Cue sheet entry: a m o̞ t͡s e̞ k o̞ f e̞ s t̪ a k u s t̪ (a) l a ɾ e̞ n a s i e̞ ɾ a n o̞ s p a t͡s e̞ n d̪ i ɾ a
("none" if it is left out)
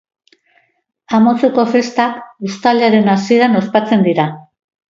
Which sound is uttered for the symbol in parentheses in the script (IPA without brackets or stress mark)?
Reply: a